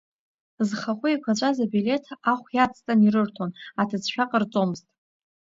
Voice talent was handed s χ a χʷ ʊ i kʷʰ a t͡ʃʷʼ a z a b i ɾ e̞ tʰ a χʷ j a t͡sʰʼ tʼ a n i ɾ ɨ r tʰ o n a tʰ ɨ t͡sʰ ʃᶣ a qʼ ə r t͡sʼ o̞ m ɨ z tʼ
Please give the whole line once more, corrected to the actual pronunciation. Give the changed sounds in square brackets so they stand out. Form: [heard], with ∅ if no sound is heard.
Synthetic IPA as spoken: [z] χ a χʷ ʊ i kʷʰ a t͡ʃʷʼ a z a b i [l] e̞ tʰ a χʷ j a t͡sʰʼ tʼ a n i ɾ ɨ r tʰ o n a tʰ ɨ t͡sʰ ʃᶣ a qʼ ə r t͡sʼ o̞ m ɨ z tʼ

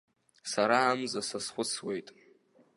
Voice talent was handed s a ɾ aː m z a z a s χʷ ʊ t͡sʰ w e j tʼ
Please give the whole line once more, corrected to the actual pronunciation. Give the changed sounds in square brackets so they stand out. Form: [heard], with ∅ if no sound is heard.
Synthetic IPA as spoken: s a ɾ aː m z a [s] a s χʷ ʊ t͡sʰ w e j tʼ

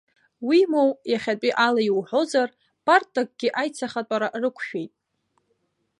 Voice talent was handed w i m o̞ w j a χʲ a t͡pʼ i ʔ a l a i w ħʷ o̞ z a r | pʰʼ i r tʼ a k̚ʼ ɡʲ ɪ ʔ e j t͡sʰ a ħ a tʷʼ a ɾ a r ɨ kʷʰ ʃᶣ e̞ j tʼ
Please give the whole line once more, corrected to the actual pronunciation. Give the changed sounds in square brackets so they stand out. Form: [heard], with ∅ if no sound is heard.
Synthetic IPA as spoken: w i m o̞ w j a χʲ a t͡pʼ i ʔ a l a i w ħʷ o̞ z a r | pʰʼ [a] r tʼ a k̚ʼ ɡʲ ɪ ʔ [a] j t͡sʰ a [χ] a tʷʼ a ɾ a r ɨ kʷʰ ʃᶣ e̞ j tʼ

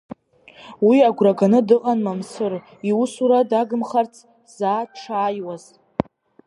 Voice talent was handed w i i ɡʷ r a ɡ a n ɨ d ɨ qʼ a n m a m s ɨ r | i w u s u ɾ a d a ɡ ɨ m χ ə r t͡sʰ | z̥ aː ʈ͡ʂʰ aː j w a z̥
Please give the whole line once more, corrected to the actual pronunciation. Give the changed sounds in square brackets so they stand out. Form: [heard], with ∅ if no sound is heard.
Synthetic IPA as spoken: w i [a] ɡʷ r a ɡ a n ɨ d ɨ qʼ a n m a m s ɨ r | i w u s u ɾ a d a ɡ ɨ m χ [a] r t͡sʰ | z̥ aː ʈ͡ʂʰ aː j w a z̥

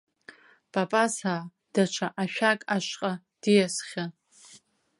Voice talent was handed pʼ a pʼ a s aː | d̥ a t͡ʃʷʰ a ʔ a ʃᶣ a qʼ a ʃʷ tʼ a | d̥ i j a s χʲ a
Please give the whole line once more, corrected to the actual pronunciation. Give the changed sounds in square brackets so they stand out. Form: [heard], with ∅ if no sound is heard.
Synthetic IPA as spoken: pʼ a pʼ a s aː | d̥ a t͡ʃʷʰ a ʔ a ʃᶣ a [kʼ] a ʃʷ [qʼ] a | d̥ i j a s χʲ a

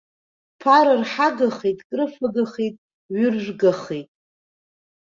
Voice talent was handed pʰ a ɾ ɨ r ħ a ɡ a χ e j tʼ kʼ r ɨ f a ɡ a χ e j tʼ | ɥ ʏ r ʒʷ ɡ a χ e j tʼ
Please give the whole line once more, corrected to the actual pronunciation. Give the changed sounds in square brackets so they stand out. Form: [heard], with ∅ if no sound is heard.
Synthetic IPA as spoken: pʰ a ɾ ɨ r ħ a ɡ a χ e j tʼ kʼ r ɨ f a ɡ a χ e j tʼ | ɥ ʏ r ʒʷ ɡ a χ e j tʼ

